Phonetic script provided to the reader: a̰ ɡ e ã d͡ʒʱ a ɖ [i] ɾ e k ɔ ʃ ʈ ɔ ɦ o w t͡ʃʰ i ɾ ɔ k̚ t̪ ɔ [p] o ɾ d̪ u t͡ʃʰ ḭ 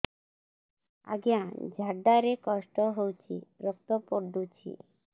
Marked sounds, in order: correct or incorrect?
incorrect: a, correct

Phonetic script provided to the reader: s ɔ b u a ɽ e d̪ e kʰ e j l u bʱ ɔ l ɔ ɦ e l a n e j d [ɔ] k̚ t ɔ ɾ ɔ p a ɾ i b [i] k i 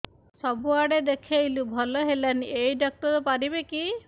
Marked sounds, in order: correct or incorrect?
correct, incorrect: e

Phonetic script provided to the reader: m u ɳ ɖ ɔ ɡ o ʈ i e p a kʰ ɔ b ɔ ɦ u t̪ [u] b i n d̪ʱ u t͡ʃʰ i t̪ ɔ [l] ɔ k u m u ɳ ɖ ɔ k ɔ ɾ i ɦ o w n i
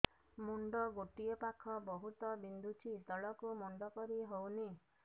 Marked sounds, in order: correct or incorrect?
incorrect: ɔ, incorrect: ɭ

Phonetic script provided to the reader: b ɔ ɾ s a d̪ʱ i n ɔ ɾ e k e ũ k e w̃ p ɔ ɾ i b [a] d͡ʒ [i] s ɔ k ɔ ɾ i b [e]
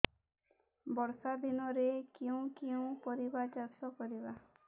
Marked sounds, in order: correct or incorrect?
correct, incorrect: a, incorrect: a

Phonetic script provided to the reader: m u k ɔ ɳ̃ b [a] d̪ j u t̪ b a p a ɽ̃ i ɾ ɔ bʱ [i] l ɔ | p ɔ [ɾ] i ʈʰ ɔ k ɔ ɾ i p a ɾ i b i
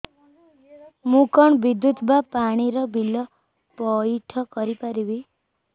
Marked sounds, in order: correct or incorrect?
incorrect: i, correct, incorrect: none

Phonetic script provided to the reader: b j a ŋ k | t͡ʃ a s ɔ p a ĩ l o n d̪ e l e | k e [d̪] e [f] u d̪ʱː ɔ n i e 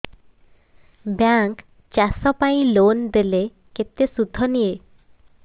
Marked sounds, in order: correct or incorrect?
incorrect: t̪, incorrect: s

